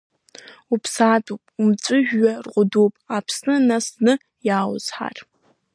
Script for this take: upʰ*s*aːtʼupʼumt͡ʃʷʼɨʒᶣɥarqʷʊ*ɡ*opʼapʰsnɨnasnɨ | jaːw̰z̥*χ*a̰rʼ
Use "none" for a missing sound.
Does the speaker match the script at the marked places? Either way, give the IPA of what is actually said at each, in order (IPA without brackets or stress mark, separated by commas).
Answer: s, d, ħ